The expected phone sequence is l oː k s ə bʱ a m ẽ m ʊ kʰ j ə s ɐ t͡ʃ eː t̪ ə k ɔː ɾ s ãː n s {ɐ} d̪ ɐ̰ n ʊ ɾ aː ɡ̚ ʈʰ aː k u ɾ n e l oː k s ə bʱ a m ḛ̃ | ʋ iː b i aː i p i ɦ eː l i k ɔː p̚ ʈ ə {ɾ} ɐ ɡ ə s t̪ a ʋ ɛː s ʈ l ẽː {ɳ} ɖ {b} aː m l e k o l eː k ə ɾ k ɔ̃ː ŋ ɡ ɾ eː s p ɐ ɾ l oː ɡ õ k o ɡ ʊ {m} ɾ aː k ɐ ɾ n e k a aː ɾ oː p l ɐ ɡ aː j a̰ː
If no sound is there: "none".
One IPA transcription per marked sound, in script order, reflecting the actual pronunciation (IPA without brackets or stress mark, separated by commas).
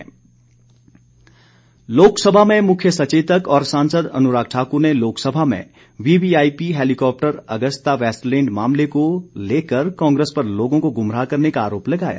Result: ə, ɾ, ɳ, m, m